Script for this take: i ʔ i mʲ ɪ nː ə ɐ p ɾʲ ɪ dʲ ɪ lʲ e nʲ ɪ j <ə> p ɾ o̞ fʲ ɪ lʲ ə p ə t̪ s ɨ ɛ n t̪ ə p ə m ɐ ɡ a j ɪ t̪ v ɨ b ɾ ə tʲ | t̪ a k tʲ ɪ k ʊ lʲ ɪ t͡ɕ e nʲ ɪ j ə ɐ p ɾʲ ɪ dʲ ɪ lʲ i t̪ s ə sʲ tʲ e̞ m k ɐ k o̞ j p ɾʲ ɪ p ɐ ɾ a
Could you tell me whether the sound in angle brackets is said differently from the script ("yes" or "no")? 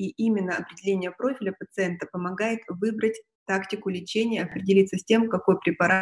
no